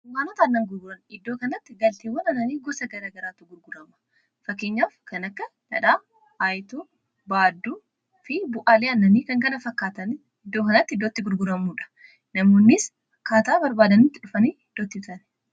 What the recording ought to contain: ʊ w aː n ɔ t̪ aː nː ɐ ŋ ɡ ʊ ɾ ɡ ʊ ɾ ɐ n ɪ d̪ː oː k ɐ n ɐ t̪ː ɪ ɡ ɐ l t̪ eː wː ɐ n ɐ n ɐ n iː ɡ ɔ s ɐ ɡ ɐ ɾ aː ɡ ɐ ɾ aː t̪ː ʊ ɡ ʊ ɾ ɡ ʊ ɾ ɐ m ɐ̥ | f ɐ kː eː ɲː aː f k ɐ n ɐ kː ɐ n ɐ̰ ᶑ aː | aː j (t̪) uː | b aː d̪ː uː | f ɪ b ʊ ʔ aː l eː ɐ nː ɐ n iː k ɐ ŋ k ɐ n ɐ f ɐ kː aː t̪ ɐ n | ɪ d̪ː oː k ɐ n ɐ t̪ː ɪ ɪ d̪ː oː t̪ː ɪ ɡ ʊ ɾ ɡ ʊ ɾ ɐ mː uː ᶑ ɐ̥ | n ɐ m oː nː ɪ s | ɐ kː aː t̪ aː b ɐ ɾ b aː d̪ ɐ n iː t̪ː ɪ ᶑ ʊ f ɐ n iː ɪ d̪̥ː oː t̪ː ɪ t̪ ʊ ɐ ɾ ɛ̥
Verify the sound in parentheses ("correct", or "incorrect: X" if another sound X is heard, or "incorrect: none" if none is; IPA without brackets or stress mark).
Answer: correct